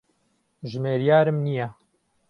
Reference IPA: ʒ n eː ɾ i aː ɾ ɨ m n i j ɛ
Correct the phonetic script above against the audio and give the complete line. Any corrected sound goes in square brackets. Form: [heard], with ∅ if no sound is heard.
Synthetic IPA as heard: ʒ [m] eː ɾ [j] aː ɾ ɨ m n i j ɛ